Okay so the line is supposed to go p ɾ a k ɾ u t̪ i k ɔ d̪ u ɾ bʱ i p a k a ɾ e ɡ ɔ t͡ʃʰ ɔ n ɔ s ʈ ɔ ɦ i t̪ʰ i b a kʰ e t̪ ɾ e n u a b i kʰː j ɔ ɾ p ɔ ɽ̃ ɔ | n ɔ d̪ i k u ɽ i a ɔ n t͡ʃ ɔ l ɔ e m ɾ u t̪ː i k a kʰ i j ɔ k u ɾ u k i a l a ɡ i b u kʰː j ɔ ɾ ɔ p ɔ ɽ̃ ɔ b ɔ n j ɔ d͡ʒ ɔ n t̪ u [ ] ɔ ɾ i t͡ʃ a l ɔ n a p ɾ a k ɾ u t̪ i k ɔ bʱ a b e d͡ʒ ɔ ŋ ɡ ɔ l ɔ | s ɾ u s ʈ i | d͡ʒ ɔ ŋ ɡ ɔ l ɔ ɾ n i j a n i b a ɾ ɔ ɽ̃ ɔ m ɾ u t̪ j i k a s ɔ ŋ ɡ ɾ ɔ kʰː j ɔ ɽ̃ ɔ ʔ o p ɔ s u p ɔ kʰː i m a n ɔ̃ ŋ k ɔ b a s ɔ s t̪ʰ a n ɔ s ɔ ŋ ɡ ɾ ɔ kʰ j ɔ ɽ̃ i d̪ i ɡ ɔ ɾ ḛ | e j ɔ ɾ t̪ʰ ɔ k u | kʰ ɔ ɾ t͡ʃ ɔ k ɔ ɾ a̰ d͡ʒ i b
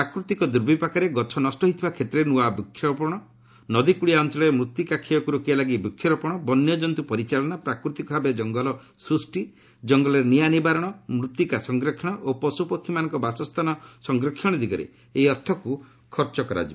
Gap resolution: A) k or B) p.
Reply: B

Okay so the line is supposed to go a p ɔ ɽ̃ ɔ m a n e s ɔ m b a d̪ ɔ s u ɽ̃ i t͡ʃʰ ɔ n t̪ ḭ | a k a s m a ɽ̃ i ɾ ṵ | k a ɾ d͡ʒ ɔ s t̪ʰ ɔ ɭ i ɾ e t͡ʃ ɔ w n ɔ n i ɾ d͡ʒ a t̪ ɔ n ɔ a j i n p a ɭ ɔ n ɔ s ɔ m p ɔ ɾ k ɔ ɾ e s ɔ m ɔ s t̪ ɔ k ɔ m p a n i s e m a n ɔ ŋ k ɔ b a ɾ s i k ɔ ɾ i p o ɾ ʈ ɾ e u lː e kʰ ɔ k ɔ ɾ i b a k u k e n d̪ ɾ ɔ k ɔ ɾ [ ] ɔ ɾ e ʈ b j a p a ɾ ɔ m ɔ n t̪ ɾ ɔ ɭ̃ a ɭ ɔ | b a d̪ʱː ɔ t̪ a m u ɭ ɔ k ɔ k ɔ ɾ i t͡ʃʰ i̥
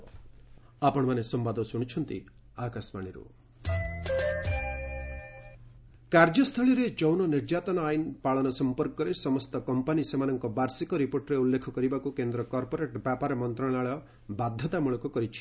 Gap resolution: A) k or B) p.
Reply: B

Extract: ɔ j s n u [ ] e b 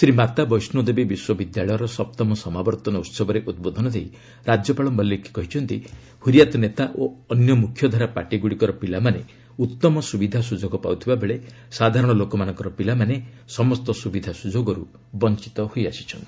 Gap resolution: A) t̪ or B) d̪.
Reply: B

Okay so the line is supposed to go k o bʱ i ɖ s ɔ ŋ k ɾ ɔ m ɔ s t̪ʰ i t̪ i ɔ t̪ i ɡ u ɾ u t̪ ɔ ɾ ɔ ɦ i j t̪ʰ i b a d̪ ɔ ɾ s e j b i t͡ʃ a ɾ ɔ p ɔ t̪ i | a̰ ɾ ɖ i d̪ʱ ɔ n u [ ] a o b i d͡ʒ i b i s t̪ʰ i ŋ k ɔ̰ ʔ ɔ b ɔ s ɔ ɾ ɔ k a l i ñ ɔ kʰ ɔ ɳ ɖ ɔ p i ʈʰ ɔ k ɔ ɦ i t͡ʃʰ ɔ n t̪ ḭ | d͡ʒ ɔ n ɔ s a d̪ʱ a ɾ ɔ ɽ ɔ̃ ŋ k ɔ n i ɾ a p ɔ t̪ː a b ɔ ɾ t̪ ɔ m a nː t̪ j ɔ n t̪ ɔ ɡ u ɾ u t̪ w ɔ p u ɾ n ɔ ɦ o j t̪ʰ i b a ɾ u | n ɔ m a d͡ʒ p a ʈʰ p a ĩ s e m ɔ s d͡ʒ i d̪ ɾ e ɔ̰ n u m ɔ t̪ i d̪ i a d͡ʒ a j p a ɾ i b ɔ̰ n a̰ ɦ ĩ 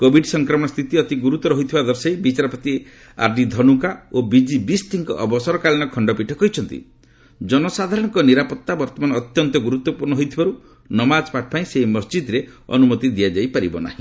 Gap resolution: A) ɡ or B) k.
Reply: B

